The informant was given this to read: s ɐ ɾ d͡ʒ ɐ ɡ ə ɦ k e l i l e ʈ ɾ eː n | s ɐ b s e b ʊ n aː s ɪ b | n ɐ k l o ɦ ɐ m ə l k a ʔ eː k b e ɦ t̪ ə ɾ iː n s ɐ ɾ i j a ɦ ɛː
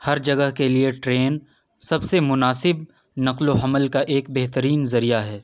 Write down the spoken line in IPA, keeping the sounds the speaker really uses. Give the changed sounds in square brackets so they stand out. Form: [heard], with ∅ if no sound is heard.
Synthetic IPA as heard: [h] ɐ ɾ d͡ʒ ɐ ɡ ə ɦ k e l i [∅] e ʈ ɾ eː n | s ɐ b s e [m] ʊ n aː s ɪ b | n ɐ [q] l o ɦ ɐ m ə l k a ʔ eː k b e ɦ t̪ ə ɾ iː n [z] ɐ ɾ i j a ɦ ɛː

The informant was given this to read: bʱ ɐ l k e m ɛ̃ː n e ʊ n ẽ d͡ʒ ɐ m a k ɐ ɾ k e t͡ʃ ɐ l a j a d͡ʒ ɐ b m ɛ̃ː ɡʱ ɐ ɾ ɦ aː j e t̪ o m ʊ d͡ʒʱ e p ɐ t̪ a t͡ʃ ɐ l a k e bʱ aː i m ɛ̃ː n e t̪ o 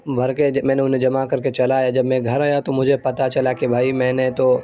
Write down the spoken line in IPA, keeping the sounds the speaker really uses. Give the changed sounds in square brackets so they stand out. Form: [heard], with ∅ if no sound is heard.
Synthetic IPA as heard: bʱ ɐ [ɾ] k e m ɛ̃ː n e ʊ n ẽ d͡ʒ ɐ m a k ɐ ɾ k e t͡ʃ ɐ l a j a d͡ʒ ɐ b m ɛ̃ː ɡʱ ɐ ɾ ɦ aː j [a] t̪ o m ʊ d͡ʒʱ e p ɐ t̪ a t͡ʃ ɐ l a k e bʱ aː i m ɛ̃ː n e t̪ o

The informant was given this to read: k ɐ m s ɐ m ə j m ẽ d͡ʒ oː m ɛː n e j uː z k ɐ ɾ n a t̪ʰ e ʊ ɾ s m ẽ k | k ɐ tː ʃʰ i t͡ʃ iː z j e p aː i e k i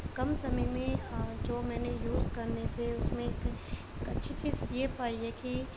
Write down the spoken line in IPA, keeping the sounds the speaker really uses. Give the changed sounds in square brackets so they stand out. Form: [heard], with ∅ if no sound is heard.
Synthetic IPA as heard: k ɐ m s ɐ m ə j m ẽ d͡ʒ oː m ɛː n e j uː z k ɐ ɾ n [e] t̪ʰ e ʊ [∅] s m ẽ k | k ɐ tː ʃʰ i t͡ʃ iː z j e p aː i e k i

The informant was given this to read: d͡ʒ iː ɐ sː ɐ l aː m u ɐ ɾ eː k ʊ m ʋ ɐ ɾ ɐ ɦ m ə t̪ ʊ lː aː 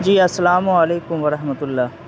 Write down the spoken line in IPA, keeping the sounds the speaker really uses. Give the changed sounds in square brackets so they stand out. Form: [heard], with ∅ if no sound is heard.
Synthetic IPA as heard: d͡ʒ iː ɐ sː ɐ l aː m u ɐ [l] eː k ʊ m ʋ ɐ ɾ ɐ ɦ m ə t̪ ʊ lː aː

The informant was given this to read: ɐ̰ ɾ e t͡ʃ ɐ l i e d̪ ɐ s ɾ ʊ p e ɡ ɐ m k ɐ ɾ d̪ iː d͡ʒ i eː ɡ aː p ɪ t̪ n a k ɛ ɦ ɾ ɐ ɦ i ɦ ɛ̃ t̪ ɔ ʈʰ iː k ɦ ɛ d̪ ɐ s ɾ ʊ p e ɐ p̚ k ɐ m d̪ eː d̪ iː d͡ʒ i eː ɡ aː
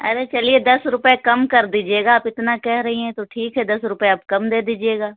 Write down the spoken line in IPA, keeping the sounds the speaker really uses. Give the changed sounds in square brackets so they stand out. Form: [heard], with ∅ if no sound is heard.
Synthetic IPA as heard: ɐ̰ ɾ e t͡ʃ ɐ l i e d̪ ɐ s ɾ ʊ p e [k] ɐ m k ɐ ɾ d̪ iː d͡ʒ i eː ɡ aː p ɪ t̪ n a k ɛ ɦ ɾ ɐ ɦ i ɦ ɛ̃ t̪ [o] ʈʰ iː k ɦ ɛ d̪ ɐ s ɾ ʊ p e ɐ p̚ k ɐ m d̪ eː d̪ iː d͡ʒ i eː ɡ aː

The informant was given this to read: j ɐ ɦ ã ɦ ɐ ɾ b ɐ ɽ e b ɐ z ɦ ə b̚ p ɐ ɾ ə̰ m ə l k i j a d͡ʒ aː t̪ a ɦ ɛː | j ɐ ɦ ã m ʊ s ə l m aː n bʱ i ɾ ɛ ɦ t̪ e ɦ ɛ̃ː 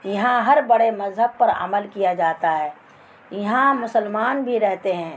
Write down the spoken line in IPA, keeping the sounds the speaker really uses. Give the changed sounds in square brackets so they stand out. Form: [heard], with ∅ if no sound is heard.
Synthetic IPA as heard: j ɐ ɦ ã ɦ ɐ ɾ b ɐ ɽ e [m] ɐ z ɦ ə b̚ p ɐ ɾ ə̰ m ə l k i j a d͡ʒ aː t̪ a ɦ ɛː | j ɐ ɦ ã m ʊ s ə l m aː n bʱ i ɾ ɛ ɦ t̪ e ɦ ɛ̃ː

